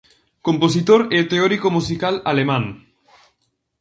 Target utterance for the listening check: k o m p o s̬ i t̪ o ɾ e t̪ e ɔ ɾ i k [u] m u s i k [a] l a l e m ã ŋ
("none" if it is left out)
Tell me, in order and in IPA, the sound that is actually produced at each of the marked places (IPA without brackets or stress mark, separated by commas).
o, a